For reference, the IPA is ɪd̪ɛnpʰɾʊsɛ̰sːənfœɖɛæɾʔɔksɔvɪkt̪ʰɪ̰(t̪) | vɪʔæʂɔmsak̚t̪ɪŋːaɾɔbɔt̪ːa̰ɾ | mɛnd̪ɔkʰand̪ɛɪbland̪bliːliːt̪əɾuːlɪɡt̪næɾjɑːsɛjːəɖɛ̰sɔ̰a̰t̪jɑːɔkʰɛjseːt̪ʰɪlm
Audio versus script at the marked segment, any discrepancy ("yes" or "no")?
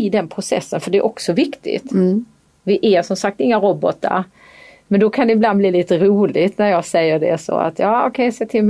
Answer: no